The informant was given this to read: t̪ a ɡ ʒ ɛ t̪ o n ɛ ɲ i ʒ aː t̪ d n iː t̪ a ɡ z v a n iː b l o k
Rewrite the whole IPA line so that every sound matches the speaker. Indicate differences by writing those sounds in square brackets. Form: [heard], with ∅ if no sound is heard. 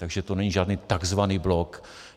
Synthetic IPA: t̪ a ɡ ʒ ɛ t̪ o n ɛ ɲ i ʒ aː [∅] d n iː t̪ a ɡ z v a n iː b l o k